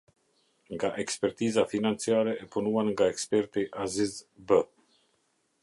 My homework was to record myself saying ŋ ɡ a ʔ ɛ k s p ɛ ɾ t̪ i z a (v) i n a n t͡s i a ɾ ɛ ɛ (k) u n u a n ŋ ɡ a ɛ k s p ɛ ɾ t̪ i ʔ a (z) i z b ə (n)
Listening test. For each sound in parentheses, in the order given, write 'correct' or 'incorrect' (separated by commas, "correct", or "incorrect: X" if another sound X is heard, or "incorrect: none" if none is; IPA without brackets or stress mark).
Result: incorrect: f, incorrect: p, correct, incorrect: none